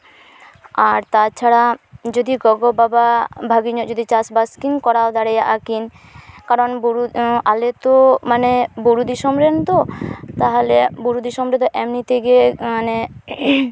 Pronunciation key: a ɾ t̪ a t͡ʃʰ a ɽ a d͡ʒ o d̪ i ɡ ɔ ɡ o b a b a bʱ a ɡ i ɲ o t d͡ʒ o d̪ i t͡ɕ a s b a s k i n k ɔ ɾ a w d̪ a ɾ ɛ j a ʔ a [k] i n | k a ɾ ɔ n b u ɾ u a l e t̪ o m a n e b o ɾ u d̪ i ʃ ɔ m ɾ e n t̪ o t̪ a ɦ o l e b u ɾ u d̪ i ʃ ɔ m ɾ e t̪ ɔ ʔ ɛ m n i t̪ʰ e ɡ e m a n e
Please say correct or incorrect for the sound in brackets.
correct